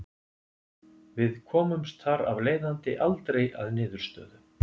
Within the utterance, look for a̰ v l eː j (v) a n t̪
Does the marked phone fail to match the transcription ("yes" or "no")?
yes